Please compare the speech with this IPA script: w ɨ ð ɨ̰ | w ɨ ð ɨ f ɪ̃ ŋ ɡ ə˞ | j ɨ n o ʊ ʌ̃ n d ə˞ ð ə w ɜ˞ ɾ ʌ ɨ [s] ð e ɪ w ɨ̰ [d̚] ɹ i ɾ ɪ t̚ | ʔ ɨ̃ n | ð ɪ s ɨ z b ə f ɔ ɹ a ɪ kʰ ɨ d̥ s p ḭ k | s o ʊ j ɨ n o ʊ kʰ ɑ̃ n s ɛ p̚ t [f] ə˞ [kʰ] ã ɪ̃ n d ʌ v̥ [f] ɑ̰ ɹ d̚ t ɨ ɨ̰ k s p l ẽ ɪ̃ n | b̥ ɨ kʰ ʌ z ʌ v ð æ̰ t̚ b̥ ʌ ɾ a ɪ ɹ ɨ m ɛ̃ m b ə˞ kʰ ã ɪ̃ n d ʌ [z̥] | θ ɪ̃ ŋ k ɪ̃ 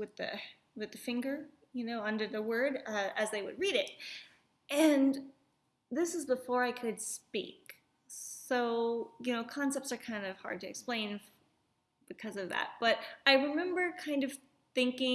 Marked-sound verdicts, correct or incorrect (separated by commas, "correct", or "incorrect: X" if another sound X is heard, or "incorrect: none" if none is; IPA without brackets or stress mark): incorrect: z, correct, incorrect: s, correct, incorrect: h, incorrect: v̥